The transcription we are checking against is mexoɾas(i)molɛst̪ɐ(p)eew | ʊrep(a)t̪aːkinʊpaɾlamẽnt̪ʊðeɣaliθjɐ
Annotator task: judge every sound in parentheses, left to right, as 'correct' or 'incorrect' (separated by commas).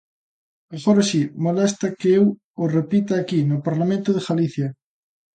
correct, incorrect, incorrect